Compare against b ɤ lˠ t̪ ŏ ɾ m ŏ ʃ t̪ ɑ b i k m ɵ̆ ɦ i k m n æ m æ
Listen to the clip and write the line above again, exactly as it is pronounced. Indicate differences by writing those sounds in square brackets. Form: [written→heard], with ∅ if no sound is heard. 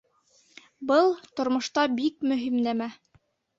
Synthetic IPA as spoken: b ɤ lˠ t̪ ŏ ɾ m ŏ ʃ t̪ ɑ b i k m ɵ̆ ɦ i [k→∅] m n æ m æ